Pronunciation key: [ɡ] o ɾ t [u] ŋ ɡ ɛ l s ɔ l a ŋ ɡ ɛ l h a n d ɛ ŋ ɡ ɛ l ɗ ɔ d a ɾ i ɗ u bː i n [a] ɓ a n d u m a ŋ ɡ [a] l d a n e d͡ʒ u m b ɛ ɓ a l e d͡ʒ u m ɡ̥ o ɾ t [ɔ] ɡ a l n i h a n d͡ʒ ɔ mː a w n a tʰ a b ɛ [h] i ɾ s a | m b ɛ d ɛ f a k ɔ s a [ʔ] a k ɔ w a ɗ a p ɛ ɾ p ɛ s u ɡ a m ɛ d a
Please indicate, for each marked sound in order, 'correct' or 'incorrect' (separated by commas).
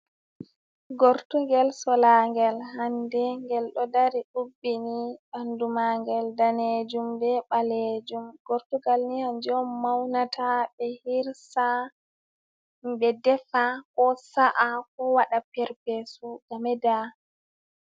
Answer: correct, correct, incorrect, incorrect, incorrect, correct, correct